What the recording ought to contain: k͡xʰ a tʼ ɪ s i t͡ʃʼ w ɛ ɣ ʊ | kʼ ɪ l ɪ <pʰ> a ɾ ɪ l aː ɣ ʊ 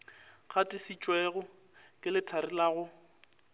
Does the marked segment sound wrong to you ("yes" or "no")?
yes